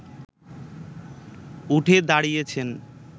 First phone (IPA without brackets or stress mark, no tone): u